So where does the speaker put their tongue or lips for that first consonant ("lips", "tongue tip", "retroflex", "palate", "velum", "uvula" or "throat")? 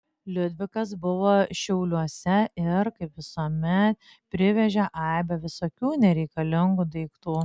tongue tip